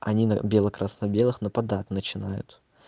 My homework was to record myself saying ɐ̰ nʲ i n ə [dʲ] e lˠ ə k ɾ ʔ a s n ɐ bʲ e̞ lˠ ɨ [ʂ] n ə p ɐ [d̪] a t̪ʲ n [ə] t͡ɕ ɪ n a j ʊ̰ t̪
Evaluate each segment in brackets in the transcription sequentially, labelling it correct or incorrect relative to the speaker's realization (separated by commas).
incorrect, incorrect, correct, correct